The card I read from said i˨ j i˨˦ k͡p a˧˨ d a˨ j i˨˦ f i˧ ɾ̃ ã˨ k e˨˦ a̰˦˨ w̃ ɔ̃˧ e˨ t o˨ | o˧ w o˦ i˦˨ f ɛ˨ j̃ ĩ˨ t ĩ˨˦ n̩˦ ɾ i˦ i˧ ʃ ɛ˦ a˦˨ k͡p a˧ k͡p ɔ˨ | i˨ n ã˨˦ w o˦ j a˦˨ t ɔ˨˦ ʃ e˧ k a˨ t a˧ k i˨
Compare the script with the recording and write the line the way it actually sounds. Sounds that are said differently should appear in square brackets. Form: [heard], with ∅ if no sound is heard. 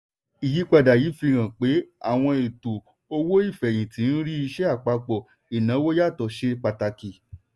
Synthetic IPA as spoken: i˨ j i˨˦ k͡p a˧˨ d a˨ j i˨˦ f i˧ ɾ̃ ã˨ [k͡p] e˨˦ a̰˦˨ w̃ ɔ̃˧ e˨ t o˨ | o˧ w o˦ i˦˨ f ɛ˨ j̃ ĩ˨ t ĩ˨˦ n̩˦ ɾ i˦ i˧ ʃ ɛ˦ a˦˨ k͡p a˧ k͡p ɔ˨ | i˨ n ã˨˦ w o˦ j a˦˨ t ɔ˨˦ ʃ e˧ [k͡p] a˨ t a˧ k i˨